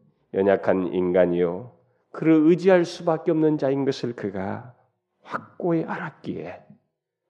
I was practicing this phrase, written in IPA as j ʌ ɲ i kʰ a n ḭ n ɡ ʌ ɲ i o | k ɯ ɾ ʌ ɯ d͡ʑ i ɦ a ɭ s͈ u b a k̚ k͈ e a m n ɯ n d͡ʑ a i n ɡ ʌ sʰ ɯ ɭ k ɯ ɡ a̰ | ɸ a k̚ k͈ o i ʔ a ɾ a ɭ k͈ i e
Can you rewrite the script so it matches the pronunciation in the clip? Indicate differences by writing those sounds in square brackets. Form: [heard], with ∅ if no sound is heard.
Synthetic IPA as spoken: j ʌ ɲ [a] kʰ a n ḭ n ɡ [a] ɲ i o | k ɯ ɾ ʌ ɯ d͡ʑ i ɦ a ɭ s͈ u b a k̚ k͈ e [ʌ] m n ɯ n d͡ʑ a i n ɡ ʌ sʰ ɯ ɭ k ɯ ɡ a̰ | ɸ a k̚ k͈ o [e] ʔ a ɾ a [∅] k͈ i e